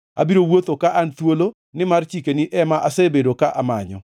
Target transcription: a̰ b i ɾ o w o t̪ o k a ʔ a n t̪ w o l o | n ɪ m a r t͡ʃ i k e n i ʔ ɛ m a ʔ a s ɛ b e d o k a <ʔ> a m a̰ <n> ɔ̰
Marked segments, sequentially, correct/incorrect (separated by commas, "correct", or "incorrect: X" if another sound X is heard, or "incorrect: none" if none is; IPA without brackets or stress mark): correct, incorrect: ɲ